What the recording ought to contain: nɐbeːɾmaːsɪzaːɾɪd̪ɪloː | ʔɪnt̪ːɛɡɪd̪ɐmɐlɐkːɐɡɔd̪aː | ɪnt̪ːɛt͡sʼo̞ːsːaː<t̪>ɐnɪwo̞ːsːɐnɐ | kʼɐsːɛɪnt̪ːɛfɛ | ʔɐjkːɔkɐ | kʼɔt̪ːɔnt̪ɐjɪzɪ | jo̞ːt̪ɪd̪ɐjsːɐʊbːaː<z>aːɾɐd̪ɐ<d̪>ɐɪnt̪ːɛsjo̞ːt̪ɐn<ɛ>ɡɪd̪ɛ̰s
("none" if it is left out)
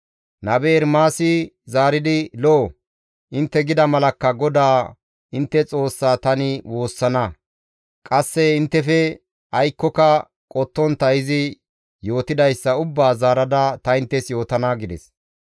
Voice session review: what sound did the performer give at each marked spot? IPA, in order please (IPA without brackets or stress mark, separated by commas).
t̪, z, t̪, a